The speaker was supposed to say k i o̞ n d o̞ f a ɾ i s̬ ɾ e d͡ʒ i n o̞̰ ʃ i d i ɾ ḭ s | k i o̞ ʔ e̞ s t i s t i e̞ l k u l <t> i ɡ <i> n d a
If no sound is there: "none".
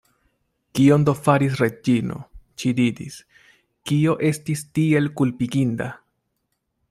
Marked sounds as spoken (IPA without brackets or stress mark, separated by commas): p, i